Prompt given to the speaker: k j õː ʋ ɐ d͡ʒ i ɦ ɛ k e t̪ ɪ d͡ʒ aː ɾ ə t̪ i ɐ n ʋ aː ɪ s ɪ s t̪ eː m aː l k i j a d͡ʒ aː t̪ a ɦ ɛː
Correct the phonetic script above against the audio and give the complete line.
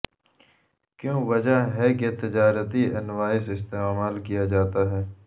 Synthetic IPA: k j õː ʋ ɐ d͡ʒ a ɦ ɛ k e t̪ ɪ d͡ʒ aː ɾ ə t̪ i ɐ n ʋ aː ɪ s ɪ s t̪ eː m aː l k i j a d͡ʒ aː t̪ a ɦ ɛː